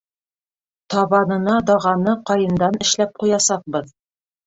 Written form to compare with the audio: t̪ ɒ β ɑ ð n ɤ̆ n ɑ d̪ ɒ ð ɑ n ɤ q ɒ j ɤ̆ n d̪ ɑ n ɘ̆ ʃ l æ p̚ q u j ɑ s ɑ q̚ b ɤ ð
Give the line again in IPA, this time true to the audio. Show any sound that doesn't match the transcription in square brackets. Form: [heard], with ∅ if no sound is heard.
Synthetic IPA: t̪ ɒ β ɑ [∅] n ɤ̆ n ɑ d̪ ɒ [ʁ] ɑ n ɤ q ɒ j ɤ̆ n d̪ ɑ n ɘ̆ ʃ l æ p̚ q u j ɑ s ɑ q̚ b ɤ ð